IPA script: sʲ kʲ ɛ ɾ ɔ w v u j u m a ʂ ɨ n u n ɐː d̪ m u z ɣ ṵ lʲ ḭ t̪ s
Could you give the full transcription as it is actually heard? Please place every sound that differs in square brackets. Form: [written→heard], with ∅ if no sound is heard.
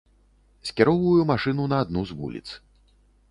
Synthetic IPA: sʲ kʲ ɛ ɾ ɔ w v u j u m a ʂ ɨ n u n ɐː d̪ [m→n] u z [ɣ→v] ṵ lʲ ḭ t̪ s